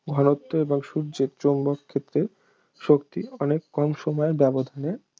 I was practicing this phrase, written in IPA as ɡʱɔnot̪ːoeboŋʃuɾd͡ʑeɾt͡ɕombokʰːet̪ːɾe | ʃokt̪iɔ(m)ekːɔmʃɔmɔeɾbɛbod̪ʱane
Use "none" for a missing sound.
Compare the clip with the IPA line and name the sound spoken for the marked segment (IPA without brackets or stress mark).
n